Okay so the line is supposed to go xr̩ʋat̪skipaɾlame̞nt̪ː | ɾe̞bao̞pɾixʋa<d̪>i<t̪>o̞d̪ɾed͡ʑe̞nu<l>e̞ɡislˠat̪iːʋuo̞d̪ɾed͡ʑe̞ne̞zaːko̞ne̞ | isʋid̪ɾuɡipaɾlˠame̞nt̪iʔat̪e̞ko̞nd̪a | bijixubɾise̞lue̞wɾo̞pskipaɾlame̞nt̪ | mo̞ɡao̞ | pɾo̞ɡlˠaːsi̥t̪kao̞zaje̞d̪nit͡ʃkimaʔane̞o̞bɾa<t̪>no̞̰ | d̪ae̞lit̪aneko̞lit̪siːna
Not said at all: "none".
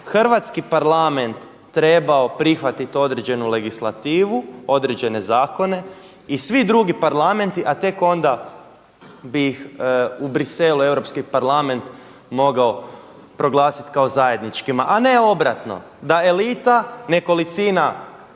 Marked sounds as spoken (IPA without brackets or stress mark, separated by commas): t̪, t̪, l, t̪